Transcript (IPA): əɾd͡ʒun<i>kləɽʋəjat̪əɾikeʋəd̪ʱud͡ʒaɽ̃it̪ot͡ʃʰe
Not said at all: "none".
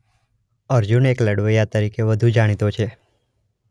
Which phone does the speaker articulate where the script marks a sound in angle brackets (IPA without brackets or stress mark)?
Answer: e